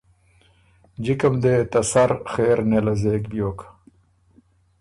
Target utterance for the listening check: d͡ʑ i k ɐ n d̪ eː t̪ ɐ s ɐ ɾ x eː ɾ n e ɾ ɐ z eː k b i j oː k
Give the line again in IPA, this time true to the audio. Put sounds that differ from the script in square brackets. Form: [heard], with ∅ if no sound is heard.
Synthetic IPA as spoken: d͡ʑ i k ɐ [m] d̪ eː t̪ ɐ s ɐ ɾ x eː ɾ n e [l] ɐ z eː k b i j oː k